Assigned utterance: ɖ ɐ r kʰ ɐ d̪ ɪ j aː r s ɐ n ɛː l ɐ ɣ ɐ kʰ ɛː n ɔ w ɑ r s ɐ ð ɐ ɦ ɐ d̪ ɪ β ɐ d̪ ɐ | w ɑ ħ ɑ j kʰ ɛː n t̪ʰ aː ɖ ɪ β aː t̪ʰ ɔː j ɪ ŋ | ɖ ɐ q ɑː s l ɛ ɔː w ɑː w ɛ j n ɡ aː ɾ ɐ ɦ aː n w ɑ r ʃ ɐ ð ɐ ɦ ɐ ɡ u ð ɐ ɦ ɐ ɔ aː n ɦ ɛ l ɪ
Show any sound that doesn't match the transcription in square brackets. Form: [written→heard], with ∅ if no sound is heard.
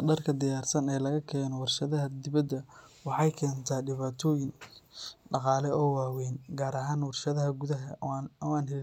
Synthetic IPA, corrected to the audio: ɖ ɐ r kʰ ɐ d̪ ɪ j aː r s ɐ n ɛː l ɐ ɣ ɐ kʰ ɛː n ɔ w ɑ r [s→ʃ] ɐ ð ɐ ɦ ɐ d̪ ɪ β ɐ d̪ ɐ | w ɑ ħ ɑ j kʰ ɛː n t̪ʰ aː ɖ ɪ β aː t̪ʰ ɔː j ɪ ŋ | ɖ [ɐ→ɑ] q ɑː [s→∅] l ɛ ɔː w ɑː w ɛ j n ɡ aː ɾ ɐ ɦ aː n w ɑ r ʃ ɐ ð ɐ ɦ ɐ ɡ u ð ɐ ɦ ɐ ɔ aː n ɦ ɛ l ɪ